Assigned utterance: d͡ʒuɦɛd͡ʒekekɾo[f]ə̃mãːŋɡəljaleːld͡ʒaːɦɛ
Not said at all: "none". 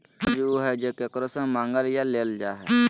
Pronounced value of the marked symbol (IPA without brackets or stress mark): s